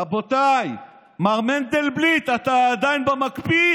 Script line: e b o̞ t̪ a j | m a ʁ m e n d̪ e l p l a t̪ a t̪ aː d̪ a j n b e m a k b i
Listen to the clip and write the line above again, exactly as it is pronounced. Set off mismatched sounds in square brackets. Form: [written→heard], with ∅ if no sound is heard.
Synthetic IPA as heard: [e→a] b o̞ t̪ a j | m a ʁ m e n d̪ e l [p→b] l [a→i] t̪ a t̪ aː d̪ a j n b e m a k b i